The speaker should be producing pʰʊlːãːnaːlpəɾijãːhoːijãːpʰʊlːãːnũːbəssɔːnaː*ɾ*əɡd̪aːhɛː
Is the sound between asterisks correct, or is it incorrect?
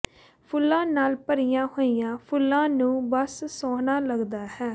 incorrect: l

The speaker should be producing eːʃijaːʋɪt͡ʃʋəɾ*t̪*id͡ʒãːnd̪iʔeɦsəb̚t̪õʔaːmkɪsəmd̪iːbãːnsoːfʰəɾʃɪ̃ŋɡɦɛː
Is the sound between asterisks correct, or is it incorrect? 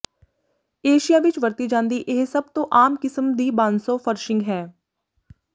correct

